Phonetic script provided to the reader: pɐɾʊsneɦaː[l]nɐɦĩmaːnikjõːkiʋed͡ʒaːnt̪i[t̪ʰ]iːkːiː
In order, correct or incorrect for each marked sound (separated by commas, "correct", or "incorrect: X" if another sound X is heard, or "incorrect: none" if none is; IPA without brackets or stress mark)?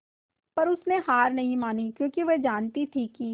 incorrect: ɾ, correct